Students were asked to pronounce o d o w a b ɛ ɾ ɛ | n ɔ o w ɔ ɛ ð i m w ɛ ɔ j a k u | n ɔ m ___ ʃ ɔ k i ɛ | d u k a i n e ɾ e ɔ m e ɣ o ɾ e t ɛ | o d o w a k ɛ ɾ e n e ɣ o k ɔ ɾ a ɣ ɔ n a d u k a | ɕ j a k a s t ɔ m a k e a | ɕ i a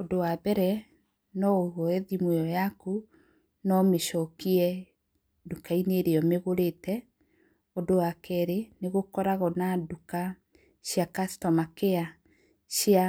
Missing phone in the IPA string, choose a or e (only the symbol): e